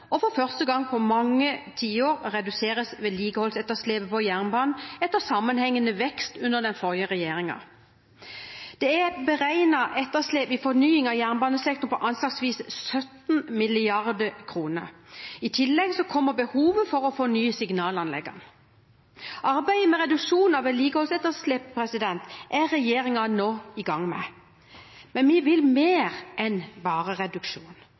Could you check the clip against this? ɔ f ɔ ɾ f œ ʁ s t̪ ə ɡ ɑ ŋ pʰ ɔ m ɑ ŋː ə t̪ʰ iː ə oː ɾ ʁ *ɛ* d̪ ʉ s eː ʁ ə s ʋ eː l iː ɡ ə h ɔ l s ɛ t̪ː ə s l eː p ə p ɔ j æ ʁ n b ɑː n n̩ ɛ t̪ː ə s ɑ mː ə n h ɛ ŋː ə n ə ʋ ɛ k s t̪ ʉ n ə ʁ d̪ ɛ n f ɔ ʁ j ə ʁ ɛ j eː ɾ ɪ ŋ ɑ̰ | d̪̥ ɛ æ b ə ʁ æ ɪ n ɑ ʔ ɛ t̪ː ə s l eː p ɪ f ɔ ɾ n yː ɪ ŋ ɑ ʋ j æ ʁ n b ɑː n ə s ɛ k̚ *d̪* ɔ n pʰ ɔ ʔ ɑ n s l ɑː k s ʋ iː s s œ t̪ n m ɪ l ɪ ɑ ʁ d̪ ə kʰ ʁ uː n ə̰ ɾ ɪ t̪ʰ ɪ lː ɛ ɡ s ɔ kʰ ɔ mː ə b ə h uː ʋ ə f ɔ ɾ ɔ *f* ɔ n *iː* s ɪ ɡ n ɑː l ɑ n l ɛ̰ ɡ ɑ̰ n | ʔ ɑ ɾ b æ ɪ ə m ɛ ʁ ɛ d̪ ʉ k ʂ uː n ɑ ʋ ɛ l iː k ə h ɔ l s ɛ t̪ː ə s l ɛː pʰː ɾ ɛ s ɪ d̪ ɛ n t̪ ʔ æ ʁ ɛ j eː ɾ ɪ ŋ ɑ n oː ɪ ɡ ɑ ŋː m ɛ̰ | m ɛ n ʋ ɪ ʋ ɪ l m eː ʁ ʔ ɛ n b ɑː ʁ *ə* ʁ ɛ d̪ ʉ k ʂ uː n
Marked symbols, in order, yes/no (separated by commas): yes, no, yes, no, yes